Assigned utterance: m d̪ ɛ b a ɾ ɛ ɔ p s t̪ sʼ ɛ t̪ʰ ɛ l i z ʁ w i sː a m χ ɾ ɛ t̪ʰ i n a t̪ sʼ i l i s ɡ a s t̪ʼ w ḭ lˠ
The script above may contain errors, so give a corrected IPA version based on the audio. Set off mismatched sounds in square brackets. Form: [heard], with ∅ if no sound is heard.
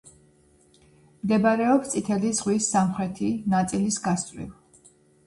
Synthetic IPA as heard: m d̪ ɛ b a ɾ ɛ ɔ p s t̪ sʼ [i] t̪ʰ ɛ l i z ʁ w i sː a m χ ɾ ɛ t̪ʰ i n a t̪ sʼ i l i s ɡ a s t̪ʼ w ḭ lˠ